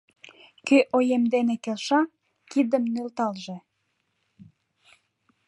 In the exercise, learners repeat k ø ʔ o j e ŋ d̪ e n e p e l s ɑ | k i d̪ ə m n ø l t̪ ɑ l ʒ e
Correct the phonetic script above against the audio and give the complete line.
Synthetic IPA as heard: k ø ʔ o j e m d̪ e n e k e l ʃ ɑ | k i d̪ ə m n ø l t̪ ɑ l ʒ e

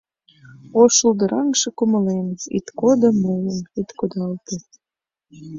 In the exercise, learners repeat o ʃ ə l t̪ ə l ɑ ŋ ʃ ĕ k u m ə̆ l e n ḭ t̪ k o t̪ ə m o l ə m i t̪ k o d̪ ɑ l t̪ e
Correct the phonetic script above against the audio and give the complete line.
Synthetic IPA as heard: o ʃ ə l d̪ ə ɾ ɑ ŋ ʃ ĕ k u m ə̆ l e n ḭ t̪ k o d̪ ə m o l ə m i t̪ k o d̪ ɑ l t̪ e

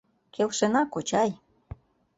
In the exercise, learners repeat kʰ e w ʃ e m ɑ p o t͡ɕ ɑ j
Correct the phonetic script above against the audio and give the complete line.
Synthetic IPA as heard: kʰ e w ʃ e n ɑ k o t͡ɕ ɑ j

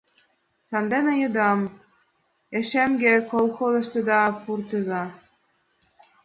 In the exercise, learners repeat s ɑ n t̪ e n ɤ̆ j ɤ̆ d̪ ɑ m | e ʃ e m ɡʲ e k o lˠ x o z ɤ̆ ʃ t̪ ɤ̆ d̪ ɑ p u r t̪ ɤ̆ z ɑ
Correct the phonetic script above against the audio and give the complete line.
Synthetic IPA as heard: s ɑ n d̪ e n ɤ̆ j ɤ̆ d̪ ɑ m | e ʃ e m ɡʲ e k o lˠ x o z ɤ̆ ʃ t̪ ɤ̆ d̪ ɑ p u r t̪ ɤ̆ z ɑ

